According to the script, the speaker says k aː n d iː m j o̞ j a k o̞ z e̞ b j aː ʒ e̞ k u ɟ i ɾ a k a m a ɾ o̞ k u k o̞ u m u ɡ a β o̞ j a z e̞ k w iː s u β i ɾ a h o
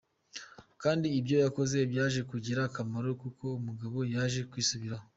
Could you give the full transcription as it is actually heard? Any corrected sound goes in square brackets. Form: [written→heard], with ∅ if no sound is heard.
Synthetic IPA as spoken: k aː n d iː [m→b] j o̞ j a k o̞ z e̞ b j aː ʒ e̞ k u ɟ i ɾ a k a m a ɾ o̞ k u k o̞ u m u ɡ a β o̞ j a [z→ʒ] e̞ k w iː s u β i ɾ a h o